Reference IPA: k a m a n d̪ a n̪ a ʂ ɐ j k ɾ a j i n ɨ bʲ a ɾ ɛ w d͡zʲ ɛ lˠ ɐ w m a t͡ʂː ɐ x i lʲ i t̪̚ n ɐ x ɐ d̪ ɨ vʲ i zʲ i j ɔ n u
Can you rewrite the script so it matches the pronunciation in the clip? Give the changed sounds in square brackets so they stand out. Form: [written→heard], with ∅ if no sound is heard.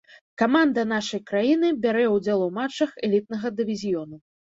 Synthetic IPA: k a m a n d̪ [a→ɐ] n̪ a ʂ ɐ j k ɾ a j i n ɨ bʲ a ɾ ɛ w d͡zʲ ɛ lˠ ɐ w m a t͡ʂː ɐ x [i→ɛ] lʲ i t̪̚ n ɐ [x→ɣ] ɐ d̪ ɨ vʲ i zʲ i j ɔ n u